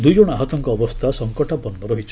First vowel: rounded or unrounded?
rounded